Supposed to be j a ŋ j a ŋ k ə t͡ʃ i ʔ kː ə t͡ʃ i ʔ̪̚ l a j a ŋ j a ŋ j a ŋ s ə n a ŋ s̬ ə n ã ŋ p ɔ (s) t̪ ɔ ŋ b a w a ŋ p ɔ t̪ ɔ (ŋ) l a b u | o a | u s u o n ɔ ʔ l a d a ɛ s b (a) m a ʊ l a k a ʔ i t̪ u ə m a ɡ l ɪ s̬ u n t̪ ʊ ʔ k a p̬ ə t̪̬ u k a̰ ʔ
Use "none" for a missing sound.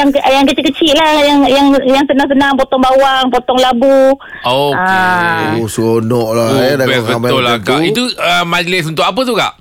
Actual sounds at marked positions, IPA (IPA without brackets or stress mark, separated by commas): none, ŋ, ə